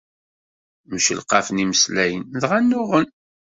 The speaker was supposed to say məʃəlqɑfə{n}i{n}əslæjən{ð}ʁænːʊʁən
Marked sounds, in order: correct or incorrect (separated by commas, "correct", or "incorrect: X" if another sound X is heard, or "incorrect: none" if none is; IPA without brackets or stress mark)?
correct, incorrect: m, correct